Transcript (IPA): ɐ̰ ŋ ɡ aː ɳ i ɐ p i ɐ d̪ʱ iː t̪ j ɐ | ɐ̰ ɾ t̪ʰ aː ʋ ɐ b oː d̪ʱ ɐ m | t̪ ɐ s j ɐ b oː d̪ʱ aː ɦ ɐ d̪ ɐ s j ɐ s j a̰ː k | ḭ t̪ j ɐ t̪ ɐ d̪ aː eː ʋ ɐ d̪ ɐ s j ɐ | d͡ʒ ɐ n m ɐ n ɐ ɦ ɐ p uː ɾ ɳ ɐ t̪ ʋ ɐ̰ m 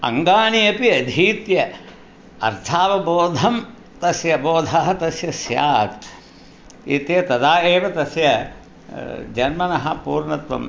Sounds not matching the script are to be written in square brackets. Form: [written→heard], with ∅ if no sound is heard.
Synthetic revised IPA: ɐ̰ ŋ ɡ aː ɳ i ɐ p i ɐ d̪ʱ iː t̪ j ɐ | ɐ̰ ɾ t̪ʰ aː ʋ ɐ b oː d̪ʱ ɐ m | t̪ ɐ s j ɐ b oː d̪ʱ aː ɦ ɐ [d̪→t̪] ɐ s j ɐ s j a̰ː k | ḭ t̪ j ɐ t̪ ɐ d̪ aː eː ʋ ɐ [d̪→t̪] ɐ s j ɐ | d͡ʒ ɐ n m ɐ n ɐ ɦ ɐ p uː ɾ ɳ ɐ t̪ ʋ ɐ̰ m